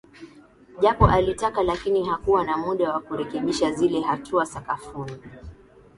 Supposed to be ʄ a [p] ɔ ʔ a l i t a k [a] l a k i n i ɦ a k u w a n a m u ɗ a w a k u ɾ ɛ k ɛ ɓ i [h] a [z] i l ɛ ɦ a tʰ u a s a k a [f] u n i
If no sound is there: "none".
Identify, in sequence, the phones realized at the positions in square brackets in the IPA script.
p, a, ʃ, z, f

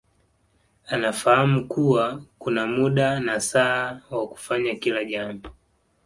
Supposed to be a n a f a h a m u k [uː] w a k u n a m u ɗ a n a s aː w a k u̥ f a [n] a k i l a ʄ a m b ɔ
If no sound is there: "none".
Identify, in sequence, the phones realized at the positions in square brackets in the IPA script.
u, ɲ

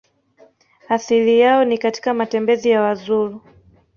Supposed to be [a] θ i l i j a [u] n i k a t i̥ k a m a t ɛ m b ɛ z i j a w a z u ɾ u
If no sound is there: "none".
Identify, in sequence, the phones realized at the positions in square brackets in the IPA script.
a, ɔ

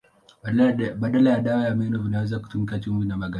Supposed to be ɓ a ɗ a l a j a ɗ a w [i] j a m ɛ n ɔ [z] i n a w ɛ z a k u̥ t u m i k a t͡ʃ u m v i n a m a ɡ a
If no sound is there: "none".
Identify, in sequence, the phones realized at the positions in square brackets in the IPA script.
a, v

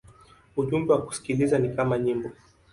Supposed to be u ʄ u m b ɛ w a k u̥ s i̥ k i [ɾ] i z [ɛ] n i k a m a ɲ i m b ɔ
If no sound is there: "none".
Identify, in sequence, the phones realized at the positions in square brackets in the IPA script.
l, a

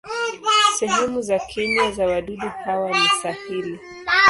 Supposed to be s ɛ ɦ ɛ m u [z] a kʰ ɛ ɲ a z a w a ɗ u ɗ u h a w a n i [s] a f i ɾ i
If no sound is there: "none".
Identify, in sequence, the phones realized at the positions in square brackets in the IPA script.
z, s

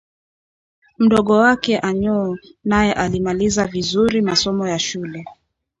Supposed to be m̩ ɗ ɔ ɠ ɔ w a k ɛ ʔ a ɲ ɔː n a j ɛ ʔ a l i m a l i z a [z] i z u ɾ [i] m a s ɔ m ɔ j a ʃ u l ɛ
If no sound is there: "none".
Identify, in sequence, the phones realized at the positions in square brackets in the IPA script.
v, i

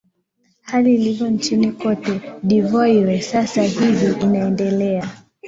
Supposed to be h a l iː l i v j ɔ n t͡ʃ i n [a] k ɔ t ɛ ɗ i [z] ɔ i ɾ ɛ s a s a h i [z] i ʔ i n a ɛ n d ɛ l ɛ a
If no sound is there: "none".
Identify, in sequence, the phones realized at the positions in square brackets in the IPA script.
i, v, v

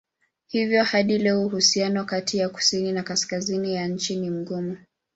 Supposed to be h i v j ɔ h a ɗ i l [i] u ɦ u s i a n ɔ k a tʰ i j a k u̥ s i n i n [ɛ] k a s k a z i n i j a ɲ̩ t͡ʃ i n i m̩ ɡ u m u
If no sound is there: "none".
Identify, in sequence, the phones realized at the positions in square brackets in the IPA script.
ɛ, a

